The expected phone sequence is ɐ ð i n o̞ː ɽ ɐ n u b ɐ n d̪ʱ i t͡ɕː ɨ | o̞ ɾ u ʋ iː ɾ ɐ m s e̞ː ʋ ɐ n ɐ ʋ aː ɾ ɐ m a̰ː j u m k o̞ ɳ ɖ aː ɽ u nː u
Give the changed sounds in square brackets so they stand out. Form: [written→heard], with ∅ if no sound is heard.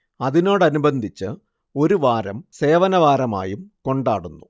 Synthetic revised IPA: ɐ ð i n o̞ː ɽ ɐ n u b ɐ n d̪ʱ i t͡ɕː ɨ | o̞ ɾ u ʋ [iː→aː] ɾ ɐ m s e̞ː ʋ ɐ n ɐ ʋ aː ɾ ɐ m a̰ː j u m k o̞ ɳ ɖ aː ɽ u nː u